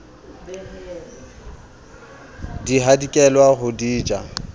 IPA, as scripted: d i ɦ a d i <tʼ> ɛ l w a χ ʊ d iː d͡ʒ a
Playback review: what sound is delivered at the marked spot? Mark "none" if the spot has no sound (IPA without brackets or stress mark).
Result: kʼ